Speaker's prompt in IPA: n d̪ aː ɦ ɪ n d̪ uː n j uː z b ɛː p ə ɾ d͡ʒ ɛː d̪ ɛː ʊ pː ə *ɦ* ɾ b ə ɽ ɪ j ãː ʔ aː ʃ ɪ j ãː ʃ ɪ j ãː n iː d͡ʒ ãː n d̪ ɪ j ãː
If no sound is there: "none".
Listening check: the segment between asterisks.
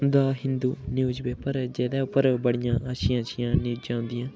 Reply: none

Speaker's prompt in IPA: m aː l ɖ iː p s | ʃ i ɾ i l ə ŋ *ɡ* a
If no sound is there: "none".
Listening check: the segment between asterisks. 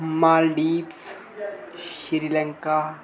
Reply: k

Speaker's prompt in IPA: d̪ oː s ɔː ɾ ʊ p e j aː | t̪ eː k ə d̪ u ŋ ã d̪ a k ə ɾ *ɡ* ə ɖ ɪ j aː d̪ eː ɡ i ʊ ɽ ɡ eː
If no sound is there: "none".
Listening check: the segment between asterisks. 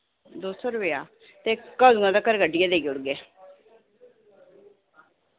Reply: ɡ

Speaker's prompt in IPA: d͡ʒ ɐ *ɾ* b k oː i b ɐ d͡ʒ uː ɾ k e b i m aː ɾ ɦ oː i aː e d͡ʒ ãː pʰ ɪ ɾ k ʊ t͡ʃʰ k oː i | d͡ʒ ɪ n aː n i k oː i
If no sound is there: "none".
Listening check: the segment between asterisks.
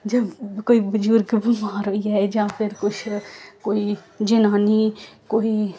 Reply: none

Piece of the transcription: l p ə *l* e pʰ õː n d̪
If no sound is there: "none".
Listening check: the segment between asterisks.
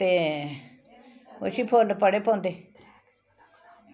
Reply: ɽ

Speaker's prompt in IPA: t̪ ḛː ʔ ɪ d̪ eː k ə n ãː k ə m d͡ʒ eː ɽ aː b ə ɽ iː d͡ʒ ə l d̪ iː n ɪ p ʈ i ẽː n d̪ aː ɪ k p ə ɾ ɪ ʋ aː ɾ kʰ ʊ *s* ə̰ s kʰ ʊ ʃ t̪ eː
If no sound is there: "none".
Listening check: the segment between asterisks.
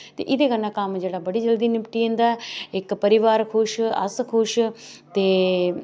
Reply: ʃ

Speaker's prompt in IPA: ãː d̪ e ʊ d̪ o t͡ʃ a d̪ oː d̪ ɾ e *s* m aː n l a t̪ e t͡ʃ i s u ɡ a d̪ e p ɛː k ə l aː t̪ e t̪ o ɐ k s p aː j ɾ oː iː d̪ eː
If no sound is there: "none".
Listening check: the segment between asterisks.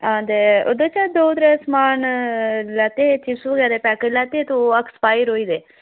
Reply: s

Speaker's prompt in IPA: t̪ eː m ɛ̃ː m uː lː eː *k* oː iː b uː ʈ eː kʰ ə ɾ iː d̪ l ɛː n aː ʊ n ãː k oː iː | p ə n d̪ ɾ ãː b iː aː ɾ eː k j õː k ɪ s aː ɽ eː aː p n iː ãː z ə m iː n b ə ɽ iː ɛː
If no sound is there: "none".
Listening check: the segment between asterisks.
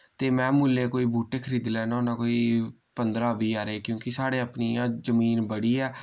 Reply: k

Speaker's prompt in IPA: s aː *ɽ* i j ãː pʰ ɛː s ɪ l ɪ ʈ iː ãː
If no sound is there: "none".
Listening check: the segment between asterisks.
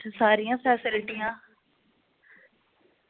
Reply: ɾ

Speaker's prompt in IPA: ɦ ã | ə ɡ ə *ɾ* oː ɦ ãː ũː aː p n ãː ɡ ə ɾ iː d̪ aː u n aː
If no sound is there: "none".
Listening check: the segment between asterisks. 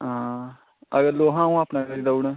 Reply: l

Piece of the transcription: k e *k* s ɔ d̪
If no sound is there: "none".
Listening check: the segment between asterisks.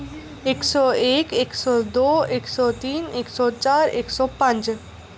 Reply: k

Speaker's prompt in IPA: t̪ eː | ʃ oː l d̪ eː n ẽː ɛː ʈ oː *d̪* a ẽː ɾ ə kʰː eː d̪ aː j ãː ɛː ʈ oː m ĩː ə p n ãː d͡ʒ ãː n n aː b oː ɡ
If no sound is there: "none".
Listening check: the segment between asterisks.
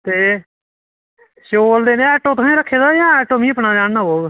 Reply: t̪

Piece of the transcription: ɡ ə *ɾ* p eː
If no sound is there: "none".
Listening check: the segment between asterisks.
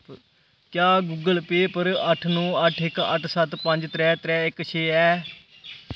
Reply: l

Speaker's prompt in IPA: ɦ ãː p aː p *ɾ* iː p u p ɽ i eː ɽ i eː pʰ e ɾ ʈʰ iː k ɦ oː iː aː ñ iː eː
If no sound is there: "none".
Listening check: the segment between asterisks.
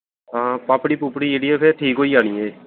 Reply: ɽ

